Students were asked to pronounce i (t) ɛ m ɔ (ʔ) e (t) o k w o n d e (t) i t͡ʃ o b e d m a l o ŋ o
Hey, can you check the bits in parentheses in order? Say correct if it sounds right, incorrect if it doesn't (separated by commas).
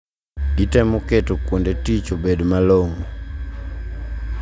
correct, incorrect, correct, correct